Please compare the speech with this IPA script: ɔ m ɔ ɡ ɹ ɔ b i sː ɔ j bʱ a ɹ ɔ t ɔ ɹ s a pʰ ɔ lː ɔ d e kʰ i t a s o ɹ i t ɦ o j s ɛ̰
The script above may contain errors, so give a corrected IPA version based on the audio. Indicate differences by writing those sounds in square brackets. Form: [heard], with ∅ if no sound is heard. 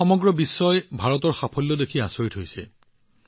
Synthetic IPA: ɔ m ɔ ɡ ɹ ɔ b i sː ɔ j bʱ a ɹ ɔ t ɔ ɹ [x] a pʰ ɔ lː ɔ d e kʰ i [∅] a s o ɹ i t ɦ o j s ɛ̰